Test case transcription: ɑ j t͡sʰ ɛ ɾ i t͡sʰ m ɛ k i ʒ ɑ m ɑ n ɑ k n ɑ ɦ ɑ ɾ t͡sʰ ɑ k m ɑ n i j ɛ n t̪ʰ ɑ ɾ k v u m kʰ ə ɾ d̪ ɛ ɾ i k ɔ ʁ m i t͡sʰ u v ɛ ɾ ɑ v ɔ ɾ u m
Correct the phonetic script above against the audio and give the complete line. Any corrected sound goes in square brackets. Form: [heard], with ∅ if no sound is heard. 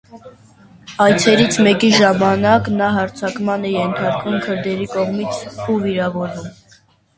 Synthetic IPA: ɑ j t͡sʰ ɛ ɾ i t͡sʰ m ɛ k i ʒ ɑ m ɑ n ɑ k n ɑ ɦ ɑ ɾ t͡sʰ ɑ k m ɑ n [ɛ] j ɛ n t̪ʰ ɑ ɾ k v u m kʰ ə ɾ d̪ ɛ ɾ i k ɔ ʁ m i t͡sʰ u v [i] ɾ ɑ v ɔ ɾ u m